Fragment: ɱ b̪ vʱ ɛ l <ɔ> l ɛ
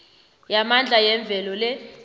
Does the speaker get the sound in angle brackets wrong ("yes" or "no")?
no